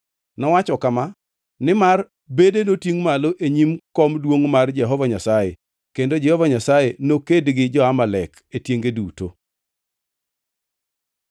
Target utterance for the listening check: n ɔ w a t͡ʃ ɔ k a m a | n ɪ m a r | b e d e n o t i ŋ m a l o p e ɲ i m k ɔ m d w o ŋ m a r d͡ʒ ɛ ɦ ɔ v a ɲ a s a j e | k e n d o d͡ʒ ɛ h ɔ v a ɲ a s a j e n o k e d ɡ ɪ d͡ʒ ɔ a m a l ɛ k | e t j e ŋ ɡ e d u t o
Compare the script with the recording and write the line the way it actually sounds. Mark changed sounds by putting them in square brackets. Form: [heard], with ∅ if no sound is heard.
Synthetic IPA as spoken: n ɔ w a t͡ʃ ɔ k a m a | n ɪ m a r | b e d e n o t i ŋ m a l o [ʔ] e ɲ i m k ɔ m d w o ŋ m a r d͡ʒ ɛ ɦ ɔ v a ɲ a s a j e | k e n d o d͡ʒ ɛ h ɔ v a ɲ a s a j e n o k e d ɡ ɪ d͡ʒ ɔ a m a l ɛ k | e t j e ŋ ɡ e d u t o